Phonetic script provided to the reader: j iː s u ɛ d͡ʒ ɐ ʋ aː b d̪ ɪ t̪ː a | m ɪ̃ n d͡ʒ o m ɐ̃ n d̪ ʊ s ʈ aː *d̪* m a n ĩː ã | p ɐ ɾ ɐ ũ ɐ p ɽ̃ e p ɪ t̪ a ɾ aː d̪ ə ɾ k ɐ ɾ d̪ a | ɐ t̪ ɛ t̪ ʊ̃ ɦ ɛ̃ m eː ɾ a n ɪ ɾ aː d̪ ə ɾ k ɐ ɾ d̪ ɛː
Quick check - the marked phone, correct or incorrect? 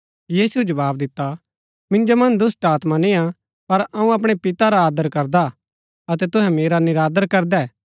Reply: incorrect: t̪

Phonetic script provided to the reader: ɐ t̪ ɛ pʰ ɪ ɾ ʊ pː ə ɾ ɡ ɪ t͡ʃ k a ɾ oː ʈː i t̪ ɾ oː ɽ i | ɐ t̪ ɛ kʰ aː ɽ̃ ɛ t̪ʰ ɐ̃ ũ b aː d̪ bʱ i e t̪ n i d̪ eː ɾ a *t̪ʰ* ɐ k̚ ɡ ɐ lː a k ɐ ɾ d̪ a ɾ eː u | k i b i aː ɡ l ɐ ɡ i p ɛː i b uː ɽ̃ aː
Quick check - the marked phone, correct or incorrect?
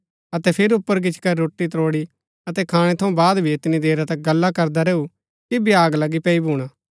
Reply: incorrect: t̪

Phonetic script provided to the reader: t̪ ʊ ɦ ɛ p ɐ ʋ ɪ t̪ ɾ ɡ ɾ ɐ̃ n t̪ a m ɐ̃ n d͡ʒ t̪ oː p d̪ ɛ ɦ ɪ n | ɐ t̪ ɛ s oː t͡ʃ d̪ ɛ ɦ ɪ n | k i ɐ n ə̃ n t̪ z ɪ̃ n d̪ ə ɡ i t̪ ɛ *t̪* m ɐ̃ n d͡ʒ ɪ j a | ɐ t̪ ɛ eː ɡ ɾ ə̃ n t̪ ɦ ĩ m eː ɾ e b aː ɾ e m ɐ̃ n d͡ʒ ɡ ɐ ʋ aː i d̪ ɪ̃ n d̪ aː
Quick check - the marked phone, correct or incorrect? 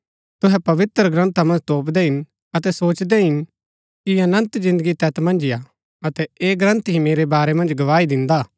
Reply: correct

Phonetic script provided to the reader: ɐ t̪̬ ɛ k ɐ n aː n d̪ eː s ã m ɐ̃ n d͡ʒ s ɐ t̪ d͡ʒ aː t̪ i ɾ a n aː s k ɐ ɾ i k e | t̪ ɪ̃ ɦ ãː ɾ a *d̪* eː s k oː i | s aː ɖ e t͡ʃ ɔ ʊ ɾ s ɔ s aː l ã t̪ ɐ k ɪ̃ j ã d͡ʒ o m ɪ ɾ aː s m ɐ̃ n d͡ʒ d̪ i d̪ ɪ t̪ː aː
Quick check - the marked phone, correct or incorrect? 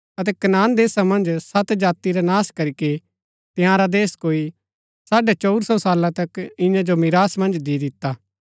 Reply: correct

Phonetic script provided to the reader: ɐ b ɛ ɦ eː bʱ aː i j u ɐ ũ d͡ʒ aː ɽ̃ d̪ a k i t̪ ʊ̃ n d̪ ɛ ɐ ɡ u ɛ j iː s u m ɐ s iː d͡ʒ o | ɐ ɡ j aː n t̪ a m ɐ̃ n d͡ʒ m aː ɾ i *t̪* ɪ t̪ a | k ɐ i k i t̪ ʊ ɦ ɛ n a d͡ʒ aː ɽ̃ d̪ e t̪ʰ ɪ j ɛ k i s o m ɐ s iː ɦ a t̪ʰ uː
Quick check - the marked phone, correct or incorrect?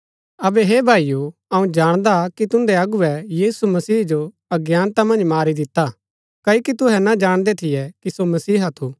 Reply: incorrect: d̪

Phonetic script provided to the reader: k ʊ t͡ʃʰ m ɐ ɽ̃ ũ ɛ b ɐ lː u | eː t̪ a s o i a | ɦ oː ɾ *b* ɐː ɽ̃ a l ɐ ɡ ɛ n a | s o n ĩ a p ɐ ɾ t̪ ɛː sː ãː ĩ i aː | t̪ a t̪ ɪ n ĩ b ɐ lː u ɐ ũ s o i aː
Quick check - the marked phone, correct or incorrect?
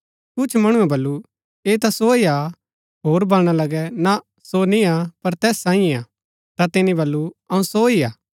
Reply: correct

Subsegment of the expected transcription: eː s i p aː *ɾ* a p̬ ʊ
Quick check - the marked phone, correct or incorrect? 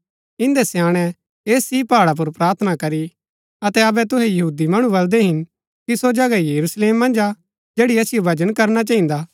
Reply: incorrect: ɽ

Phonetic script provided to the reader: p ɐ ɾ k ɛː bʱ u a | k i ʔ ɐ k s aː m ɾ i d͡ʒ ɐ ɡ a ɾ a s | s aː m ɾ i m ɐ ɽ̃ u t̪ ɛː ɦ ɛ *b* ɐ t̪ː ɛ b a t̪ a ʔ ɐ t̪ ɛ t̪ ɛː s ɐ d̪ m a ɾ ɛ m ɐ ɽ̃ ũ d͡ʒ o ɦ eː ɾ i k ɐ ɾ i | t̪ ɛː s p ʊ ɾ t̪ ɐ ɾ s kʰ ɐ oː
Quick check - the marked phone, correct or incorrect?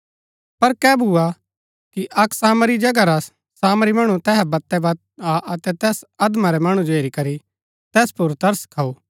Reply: correct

